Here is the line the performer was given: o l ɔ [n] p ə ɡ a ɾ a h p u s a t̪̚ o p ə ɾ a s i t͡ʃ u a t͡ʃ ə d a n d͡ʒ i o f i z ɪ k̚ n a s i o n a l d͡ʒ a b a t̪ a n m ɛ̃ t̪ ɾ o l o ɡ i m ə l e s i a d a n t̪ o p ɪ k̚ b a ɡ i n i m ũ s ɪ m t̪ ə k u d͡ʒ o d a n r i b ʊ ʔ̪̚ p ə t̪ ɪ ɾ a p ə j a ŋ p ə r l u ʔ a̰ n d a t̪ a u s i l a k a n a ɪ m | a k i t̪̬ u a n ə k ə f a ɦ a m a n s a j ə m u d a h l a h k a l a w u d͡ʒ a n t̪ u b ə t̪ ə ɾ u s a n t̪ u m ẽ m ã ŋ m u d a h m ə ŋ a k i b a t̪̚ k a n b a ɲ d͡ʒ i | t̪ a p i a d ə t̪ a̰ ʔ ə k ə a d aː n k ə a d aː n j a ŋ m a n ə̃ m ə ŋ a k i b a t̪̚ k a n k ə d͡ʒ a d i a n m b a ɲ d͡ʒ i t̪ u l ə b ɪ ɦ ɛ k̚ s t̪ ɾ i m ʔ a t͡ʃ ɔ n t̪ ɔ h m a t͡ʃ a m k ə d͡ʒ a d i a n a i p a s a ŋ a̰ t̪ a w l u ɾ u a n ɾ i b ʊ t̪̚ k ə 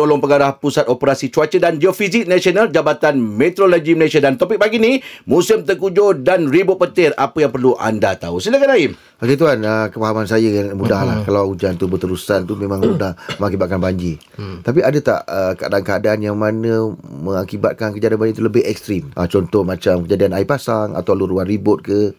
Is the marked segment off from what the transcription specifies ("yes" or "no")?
yes